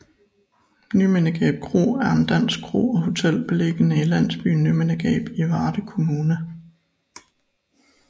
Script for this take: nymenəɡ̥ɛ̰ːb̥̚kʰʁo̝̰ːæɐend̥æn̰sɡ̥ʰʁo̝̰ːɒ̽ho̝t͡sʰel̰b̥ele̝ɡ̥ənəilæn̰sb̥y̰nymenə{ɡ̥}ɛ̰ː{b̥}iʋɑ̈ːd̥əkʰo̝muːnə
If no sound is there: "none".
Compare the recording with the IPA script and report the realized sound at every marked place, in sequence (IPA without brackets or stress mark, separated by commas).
ɡ̥, b̥